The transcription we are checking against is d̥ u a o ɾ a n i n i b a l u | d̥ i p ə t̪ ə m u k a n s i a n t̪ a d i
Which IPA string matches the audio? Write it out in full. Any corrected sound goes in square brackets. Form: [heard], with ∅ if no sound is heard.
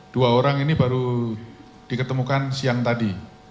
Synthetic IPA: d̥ u a o ɾ a [ŋ] i n i b a [ɾ] u | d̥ i [k] ə t̪ ə m u k a n s i a [ŋ] t̪ a d i